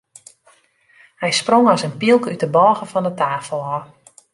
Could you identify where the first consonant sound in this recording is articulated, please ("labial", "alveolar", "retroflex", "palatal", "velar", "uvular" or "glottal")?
glottal